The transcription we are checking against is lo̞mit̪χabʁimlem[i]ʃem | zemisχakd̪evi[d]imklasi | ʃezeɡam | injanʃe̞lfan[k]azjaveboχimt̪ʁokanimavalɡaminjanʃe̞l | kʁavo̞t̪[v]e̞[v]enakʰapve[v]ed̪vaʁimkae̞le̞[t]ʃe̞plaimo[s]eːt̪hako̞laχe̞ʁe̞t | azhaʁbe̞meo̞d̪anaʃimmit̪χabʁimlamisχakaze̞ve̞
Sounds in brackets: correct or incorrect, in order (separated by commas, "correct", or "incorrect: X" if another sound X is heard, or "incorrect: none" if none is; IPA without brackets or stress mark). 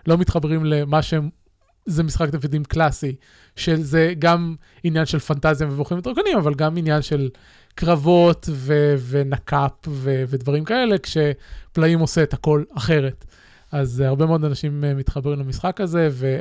incorrect: a, correct, incorrect: t, correct, correct, correct, incorrect: k, correct